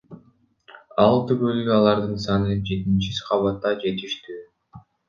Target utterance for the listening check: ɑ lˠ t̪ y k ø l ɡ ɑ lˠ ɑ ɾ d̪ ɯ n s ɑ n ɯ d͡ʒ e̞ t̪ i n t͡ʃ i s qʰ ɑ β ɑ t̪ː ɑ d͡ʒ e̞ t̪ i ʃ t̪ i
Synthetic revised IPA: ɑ lˠ t̪ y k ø l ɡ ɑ lˠ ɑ ɾ d̪ ɯ n s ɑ n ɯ d͡ʒ e̞ t̪ i n t͡ʃ i s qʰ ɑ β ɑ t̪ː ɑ d͡ʒ e̞ t̪ i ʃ t̪ y